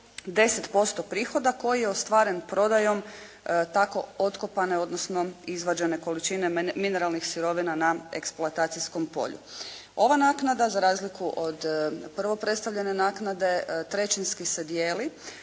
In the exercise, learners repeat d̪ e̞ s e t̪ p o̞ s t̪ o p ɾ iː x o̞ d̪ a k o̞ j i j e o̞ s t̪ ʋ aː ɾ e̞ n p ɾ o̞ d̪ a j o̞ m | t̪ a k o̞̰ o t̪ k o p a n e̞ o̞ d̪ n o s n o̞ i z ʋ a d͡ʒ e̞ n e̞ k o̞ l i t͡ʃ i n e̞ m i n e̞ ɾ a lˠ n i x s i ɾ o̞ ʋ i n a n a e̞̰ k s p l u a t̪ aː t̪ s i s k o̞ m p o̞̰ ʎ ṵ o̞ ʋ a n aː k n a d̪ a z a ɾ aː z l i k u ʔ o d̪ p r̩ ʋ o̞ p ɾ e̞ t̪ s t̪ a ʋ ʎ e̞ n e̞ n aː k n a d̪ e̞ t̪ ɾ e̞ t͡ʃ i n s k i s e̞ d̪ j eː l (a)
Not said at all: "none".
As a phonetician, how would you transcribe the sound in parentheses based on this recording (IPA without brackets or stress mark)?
i